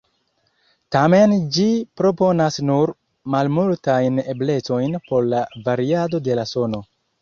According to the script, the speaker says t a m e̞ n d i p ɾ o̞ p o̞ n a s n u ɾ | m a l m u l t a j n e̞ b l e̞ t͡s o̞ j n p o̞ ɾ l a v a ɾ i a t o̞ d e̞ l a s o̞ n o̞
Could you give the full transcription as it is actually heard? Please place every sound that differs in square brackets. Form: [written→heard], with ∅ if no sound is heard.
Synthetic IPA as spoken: t a m e̞ n [d→d͡ʒ] i p ɾ o̞ p o̞ n a s n u ɾ | m a l m u l t a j n e̞ b l e̞ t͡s o̞ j n p o̞ ɾ l a v a ɾ i a [t→d] o̞ d e̞ l a s o̞ n o̞